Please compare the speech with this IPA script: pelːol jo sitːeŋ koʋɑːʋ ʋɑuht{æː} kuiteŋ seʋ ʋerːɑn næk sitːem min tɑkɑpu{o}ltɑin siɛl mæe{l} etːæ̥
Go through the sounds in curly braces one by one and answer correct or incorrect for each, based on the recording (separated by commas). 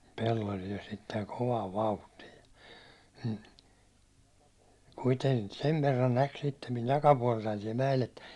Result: incorrect, incorrect, correct